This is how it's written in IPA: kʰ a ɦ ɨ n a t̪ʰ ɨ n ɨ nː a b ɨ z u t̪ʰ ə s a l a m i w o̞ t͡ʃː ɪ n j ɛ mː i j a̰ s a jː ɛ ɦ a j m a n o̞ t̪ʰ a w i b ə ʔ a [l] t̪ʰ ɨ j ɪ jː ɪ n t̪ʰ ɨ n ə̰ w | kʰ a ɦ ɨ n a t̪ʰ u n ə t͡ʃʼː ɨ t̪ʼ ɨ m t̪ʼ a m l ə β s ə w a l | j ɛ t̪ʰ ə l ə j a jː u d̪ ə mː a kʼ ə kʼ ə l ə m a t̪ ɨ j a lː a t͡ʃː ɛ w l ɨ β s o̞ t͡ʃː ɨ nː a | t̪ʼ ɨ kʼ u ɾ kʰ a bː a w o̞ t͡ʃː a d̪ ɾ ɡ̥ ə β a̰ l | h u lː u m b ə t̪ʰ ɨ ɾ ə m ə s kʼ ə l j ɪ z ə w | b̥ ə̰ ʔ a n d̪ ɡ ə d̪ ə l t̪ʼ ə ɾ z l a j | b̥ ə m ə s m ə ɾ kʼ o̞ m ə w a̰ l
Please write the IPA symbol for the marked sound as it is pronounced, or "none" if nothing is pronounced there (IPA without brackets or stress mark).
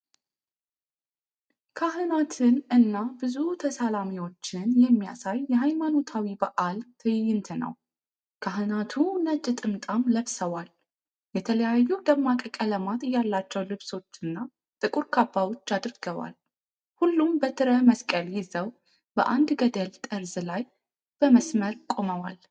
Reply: l